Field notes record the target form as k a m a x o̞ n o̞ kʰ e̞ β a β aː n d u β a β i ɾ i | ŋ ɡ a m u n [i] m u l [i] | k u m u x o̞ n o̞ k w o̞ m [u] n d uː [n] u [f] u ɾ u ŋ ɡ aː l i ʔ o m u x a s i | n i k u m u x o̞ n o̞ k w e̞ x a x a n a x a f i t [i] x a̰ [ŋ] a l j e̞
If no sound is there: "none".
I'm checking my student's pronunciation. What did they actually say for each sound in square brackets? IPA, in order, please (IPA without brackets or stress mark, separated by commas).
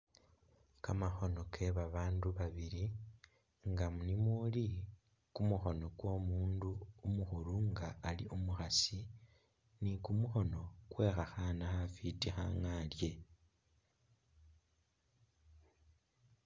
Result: i, i, uː, m, x, i, ŋ